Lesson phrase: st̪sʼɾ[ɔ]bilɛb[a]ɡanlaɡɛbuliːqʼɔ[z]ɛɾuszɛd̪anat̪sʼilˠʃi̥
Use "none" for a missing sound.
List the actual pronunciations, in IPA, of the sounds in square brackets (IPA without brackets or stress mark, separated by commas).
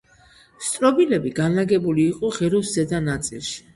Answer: ɔ, i, ʁ